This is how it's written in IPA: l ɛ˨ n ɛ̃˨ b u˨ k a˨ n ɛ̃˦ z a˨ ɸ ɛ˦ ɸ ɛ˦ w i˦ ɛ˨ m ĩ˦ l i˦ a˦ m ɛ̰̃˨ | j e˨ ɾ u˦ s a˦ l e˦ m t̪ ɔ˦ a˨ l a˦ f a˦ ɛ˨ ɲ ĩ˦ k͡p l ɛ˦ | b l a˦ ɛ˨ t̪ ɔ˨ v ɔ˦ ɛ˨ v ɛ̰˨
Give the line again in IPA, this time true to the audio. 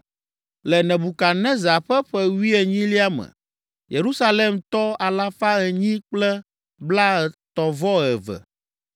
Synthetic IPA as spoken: l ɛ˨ n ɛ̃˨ b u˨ k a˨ n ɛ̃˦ z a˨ ɸ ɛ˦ ɸ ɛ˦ w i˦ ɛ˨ ɲ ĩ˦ l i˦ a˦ m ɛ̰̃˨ | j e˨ ɾ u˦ s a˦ l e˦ m t̪ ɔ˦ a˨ l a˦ f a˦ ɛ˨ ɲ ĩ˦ k͡p l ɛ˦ | b l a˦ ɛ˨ t̪ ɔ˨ v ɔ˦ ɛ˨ v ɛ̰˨

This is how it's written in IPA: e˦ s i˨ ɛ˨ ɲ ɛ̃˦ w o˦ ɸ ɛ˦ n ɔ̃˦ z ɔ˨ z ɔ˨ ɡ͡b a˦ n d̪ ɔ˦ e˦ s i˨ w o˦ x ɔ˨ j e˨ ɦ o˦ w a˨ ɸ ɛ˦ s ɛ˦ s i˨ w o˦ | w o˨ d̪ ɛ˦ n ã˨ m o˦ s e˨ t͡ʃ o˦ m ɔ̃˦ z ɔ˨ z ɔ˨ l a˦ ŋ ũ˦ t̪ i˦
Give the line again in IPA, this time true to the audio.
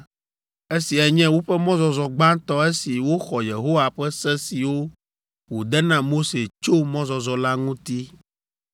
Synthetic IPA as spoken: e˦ s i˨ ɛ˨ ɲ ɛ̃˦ w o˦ ɸ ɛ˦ m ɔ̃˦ z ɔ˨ z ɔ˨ ɡ͡b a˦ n t̪ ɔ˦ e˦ s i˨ w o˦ x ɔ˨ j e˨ ɦ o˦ w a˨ ɸ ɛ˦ s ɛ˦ s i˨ w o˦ | w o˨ d̪ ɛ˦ n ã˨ m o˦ s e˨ t͡ʃ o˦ m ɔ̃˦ z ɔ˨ z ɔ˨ l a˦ ŋ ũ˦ t̪ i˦

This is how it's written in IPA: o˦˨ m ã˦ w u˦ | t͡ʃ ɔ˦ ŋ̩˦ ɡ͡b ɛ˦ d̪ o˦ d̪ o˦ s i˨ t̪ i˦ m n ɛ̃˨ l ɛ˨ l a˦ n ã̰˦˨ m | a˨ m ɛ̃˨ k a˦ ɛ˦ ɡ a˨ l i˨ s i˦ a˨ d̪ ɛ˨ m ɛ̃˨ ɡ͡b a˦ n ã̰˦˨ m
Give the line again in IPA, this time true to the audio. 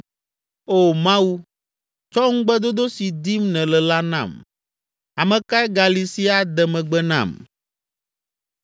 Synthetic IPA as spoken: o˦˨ m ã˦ w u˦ | t͡ʃ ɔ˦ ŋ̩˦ ɡ͡b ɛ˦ d̪ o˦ d̪ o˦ s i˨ d̪ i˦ m n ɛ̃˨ l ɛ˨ l a˦ n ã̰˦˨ m | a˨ m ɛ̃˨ k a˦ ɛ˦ ɡ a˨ l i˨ s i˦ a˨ d̪ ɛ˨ m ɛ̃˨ ɡ͡b ɛ˦ n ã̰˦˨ m

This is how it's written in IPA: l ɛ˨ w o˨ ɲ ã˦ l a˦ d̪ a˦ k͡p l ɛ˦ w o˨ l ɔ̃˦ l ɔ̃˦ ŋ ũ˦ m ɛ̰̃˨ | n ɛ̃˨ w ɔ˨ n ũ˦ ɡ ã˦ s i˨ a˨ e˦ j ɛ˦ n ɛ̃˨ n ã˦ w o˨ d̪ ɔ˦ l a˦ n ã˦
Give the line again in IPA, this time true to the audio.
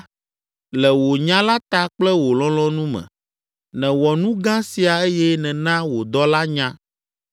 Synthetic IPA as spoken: l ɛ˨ w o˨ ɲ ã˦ l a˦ t̪ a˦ k͡p l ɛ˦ w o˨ l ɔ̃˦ l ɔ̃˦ n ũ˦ m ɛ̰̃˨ | n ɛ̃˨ w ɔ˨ n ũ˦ ɡ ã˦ s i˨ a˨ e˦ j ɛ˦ n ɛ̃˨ n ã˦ w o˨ d̪ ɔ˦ l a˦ ɲ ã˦

